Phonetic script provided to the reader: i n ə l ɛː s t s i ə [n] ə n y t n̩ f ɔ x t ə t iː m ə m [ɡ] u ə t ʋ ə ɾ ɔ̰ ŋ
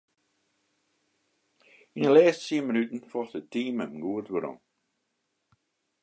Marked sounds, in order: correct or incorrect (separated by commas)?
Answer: incorrect, correct